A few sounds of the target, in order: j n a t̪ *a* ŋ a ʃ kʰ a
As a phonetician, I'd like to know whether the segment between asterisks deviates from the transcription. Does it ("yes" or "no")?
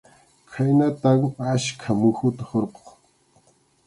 no